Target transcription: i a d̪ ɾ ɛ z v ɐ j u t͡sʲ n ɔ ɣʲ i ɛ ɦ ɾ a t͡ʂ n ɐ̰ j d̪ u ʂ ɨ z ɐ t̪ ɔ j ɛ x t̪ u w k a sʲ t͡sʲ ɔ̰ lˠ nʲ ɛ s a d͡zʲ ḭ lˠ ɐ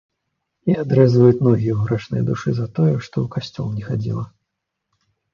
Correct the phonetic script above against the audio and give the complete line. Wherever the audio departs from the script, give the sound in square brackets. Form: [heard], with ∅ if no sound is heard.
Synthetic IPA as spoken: i a d̪ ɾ ɛ z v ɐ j u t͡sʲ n ɔ ɣʲ i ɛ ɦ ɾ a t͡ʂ n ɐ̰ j d̪ u ʂ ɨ z ɐ t̪ ɔ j ɛ [ʂ] t̪ [ɔ] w k a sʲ t͡sʲ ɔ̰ lˠ nʲ ɛ [x] a d͡zʲ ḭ lˠ ɐ